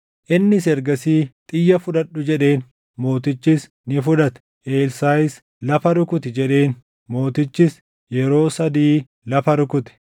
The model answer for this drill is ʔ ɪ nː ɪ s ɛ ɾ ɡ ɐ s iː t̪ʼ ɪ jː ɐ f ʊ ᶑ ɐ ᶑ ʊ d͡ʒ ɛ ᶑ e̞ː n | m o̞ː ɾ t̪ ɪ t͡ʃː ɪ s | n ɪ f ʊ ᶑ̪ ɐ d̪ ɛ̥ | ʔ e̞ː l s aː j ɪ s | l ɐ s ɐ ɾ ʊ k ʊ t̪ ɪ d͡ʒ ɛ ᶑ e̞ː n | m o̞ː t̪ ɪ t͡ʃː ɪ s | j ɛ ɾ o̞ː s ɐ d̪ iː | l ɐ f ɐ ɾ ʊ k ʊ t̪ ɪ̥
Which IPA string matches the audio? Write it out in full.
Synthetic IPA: ʔ ɪ nː ɪ s ɛ ɾ ɡ ɐ s iː t̪ʼ ɪ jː ɐ f ʊ ᶑ ɐ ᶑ ʊ d͡ʒ ɛ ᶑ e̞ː n | m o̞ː t̪ ɪ t͡ʃː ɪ s | n ɪ f ʊ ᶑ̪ ɐ t̪ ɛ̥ | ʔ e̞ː l s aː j ɪ s | l ɐ f ɐ ɾ ʊ k ʊ t̪ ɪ d͡ʒ ɛ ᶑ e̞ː n | m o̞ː t̪ ɪ t͡ʃː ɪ s | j ɛ ɾ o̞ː s ɐ d̪ iː | l ɐ f ɐ ɾ ʊ k ʊ t̪ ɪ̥